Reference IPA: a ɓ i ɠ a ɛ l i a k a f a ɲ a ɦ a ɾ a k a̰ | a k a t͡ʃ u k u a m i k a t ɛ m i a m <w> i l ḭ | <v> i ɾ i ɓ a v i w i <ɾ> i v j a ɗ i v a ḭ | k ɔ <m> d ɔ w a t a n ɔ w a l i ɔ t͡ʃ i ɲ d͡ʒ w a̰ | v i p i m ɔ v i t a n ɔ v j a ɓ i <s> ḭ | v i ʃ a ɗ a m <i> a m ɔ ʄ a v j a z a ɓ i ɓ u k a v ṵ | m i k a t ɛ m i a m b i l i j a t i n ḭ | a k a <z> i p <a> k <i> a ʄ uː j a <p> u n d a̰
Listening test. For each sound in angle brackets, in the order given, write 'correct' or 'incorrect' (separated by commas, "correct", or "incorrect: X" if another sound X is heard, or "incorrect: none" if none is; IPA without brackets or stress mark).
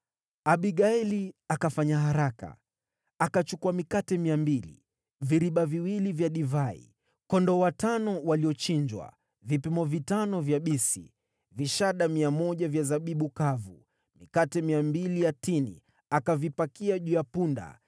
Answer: incorrect: b, correct, incorrect: l, incorrect: n, correct, correct, incorrect: v, correct, correct, correct